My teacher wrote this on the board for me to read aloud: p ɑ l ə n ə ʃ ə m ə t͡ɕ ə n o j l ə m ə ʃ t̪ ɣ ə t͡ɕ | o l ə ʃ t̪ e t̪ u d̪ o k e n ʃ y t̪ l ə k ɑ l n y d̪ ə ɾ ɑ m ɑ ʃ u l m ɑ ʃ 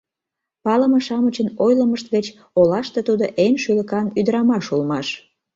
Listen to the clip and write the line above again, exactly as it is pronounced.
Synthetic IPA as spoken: p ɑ l ə m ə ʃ ɑ m ə t͡ɕ ə n o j l ə m ə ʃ t̪ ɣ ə t͡ɕ | o l ɑ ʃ t̪ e t̪ u d̪ o ʔ e n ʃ y l ə k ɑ n y d̪ ə ɾ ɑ m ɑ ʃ u l m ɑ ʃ